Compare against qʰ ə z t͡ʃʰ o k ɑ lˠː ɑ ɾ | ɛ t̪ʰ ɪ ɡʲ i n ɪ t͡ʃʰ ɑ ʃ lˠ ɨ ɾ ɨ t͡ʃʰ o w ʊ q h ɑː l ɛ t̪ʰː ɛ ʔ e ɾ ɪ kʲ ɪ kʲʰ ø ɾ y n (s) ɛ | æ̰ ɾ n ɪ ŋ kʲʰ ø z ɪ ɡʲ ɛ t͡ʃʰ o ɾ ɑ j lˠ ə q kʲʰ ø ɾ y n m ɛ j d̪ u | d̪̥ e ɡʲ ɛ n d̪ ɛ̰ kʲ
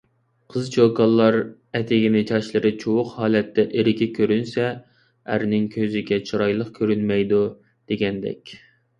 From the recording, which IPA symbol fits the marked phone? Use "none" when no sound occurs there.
s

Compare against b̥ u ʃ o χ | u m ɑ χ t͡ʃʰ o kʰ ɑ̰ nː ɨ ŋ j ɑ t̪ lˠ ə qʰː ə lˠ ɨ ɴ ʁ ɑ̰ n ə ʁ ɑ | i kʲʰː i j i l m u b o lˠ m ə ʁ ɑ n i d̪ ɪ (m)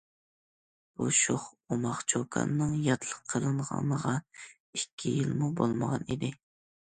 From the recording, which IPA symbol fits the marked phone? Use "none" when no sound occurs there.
none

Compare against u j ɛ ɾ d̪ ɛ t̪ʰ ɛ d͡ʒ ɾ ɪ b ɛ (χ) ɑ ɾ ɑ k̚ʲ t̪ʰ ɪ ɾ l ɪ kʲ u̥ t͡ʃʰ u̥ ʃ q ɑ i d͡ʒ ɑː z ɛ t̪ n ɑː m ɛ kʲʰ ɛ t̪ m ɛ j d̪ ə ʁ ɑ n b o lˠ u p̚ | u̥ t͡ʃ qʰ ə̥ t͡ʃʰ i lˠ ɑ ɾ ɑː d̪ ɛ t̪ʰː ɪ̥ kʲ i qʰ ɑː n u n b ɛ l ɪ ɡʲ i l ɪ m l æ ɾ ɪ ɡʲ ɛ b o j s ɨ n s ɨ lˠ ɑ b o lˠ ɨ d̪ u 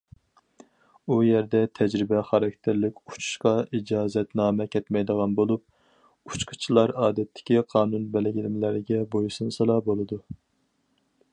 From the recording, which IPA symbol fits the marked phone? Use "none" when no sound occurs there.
χ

